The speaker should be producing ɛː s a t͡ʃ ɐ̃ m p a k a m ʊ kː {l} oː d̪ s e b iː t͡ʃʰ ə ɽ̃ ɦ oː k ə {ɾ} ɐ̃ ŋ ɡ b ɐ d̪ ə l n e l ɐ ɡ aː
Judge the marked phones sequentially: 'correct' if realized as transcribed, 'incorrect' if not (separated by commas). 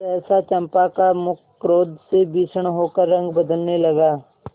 incorrect, incorrect